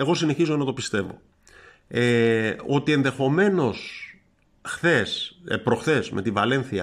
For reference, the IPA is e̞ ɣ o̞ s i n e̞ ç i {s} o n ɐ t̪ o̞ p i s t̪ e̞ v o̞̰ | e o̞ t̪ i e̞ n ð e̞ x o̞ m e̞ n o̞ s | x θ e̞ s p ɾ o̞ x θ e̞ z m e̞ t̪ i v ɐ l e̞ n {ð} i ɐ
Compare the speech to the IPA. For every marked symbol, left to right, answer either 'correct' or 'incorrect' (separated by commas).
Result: incorrect, incorrect